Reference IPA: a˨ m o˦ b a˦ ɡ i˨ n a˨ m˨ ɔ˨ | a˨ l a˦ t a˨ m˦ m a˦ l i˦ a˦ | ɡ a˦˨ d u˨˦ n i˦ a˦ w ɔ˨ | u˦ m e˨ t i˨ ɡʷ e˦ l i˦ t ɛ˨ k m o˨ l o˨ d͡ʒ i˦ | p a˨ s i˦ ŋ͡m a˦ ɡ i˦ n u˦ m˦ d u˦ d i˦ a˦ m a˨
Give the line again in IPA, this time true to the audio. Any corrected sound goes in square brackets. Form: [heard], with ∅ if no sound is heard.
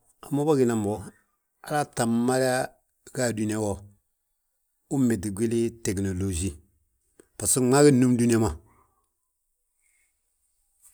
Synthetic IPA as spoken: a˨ m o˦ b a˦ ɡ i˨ n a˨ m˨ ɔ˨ | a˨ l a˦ t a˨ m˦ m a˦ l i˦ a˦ | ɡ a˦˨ d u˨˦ n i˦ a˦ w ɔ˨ | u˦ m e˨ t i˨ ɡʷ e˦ l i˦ t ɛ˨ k [n] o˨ l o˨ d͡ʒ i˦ | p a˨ s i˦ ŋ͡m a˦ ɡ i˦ n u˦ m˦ d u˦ [n] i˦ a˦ m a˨